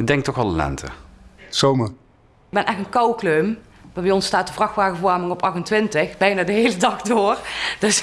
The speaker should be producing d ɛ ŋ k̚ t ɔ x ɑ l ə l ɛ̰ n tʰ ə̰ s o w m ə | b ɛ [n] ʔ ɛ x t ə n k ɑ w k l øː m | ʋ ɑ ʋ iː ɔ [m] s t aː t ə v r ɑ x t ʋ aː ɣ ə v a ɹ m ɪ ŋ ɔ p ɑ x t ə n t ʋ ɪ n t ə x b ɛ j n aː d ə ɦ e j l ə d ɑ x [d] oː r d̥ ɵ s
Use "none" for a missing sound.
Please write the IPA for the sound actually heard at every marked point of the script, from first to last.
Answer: n, n, d

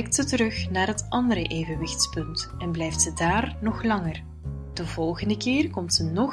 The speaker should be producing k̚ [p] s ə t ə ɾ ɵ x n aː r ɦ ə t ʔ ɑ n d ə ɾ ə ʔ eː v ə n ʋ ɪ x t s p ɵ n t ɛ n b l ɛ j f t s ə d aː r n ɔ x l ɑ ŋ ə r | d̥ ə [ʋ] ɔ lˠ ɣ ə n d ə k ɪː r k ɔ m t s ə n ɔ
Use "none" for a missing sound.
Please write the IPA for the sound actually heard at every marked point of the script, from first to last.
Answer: t, v

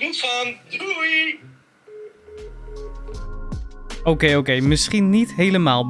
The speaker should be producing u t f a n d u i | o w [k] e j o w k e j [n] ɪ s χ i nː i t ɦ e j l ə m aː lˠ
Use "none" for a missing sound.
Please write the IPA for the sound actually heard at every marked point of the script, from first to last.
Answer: k, m

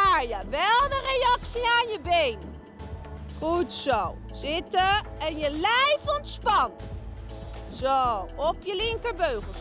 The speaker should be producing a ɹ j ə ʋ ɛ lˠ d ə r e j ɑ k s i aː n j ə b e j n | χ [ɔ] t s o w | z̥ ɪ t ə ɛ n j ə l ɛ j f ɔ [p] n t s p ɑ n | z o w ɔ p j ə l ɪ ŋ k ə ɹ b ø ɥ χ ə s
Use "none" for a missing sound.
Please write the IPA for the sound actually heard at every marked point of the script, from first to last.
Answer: u, none

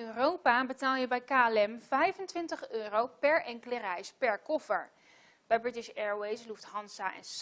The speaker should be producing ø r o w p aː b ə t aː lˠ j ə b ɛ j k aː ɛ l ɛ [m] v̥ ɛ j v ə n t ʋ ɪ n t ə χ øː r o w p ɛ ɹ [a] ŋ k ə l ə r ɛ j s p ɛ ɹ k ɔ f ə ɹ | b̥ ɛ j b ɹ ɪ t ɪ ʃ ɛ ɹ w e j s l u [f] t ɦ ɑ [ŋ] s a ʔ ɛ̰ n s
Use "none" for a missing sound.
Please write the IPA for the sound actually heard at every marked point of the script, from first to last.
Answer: m, ɛ, f, n

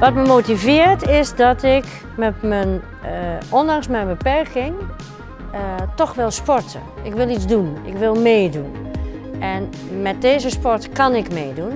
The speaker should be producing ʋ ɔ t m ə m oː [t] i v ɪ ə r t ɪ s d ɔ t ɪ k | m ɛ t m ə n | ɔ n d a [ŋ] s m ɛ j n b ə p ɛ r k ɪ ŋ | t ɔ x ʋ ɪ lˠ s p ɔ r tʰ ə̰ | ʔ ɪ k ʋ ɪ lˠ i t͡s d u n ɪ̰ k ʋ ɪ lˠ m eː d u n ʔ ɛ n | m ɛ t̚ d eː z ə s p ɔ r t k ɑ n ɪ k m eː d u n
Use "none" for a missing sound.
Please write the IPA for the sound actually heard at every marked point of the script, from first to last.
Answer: t, ŋ

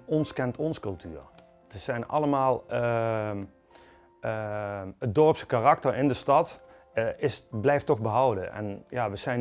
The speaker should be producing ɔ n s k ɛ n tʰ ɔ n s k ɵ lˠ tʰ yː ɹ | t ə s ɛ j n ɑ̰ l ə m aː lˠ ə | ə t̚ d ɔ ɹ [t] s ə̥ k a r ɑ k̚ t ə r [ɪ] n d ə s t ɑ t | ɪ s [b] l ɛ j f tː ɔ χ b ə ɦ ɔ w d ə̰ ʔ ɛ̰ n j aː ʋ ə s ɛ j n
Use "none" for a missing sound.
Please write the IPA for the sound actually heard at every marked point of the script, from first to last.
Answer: p, ɪ, b

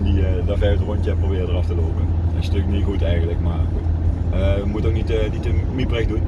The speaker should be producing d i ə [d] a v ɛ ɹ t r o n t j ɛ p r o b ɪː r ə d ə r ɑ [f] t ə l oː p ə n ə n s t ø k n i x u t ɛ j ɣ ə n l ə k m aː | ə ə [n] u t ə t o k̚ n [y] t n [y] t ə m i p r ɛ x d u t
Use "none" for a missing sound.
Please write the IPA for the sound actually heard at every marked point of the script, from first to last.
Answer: d, f, m, i, i

